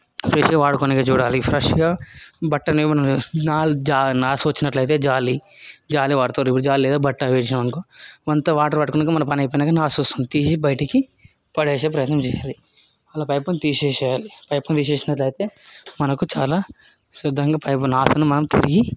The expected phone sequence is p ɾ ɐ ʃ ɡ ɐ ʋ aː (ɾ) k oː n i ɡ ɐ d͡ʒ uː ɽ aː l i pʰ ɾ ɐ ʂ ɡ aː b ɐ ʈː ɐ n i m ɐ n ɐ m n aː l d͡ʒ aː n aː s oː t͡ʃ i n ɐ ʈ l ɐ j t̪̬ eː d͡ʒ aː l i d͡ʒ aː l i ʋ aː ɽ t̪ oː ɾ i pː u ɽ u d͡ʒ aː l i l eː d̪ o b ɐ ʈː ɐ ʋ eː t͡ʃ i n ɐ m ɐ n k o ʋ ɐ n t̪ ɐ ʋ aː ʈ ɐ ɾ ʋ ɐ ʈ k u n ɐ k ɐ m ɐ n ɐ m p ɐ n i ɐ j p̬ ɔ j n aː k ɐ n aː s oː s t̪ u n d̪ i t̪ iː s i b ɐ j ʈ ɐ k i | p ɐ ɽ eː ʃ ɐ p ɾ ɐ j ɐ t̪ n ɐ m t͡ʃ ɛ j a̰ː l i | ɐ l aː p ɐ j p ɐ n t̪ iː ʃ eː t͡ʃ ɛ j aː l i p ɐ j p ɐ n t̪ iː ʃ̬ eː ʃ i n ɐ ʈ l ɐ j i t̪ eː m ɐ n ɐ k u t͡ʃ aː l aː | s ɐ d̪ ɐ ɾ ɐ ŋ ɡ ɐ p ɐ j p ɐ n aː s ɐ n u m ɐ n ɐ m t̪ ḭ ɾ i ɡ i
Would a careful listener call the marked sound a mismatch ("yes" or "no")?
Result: yes